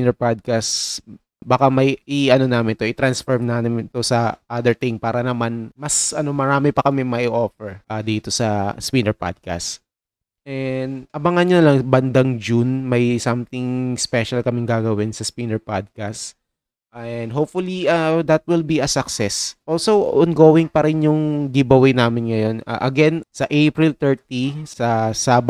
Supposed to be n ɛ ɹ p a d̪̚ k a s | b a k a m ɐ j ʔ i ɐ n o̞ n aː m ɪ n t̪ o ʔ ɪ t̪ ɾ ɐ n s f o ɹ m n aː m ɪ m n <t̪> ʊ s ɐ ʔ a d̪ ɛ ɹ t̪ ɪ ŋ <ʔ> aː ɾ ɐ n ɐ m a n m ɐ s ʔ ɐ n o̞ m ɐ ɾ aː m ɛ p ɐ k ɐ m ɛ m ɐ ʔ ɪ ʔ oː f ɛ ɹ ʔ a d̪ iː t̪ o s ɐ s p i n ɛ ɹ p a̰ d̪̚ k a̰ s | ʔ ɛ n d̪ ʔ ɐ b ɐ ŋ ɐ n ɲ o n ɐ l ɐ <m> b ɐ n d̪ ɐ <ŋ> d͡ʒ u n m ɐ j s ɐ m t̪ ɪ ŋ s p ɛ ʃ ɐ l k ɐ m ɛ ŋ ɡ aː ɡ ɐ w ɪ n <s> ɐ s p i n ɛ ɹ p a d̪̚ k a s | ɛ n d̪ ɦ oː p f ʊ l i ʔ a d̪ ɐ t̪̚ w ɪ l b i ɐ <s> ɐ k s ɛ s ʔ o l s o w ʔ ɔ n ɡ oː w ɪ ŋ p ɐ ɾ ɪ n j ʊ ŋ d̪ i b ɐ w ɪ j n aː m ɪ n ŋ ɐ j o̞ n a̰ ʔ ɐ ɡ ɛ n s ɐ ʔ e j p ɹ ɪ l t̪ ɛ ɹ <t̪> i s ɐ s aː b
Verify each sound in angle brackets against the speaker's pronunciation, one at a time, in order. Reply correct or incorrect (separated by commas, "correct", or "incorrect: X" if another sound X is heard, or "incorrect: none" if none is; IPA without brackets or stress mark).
correct, incorrect: p, incorrect: ŋ, correct, correct, correct, correct